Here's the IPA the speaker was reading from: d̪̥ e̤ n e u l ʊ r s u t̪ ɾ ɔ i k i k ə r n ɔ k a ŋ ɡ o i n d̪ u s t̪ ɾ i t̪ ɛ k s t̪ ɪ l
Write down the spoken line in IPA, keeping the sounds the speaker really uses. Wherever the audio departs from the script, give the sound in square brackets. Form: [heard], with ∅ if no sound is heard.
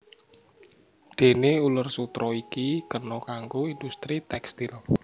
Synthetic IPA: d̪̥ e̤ n e u l ʊ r s u t̪ ɾ ɔ i k i k ə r n ɔ k a ŋ ɡ o i n d̪ u s t̪ ɾ i t̪ ɛ k s t̪ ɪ l